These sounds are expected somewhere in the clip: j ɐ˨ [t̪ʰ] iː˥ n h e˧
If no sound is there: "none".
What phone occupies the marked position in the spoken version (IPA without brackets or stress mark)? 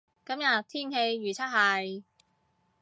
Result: t̪ʰ